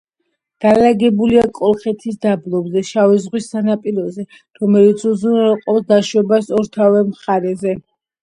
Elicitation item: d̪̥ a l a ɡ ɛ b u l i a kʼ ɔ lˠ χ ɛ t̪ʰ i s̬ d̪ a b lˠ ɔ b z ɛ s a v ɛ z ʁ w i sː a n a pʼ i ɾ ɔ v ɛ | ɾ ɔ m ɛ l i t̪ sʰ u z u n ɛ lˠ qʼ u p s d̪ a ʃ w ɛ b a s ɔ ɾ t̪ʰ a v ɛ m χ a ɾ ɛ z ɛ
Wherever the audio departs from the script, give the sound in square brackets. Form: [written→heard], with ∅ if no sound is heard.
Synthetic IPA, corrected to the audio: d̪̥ a l a ɡ ɛ b u l i a kʼ ɔ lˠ χ ɛ t̪ʰ i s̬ d̪ a b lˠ ɔ b z ɛ [s→ʃ] a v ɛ z ʁ w i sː a n a pʼ i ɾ ɔ [v→z] ɛ | ɾ ɔ m ɛ l i t̪ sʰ u z u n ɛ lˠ qʼ [u→ɔ] p s d̪ a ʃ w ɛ b a s ɔ ɾ t̪ʰ a v ɛ m χ a ɾ ɛ z ɛ